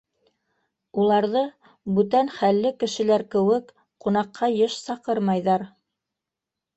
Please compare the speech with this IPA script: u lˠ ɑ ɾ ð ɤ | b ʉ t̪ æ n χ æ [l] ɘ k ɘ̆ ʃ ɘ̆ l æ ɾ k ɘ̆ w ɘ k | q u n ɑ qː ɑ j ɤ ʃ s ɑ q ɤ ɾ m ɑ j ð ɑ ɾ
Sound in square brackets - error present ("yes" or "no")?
yes